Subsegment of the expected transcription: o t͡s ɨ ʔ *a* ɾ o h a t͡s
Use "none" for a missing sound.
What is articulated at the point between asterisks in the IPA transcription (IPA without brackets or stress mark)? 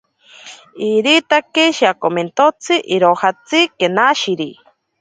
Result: i